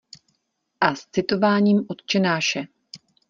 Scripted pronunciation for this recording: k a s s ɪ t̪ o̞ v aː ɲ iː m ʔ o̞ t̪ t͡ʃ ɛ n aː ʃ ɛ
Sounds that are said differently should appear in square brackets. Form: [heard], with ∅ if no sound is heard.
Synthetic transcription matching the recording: [ʔ] a s [t͡s] ɪ t̪ o̞ v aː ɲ iː m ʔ o̞ t̪ t͡ʃ ɛ n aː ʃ ɛ